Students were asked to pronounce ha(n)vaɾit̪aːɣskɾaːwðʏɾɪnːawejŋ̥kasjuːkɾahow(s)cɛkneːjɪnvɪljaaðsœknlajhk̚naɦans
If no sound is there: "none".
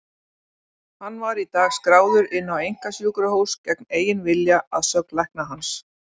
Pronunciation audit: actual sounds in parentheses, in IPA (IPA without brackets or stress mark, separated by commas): nː, s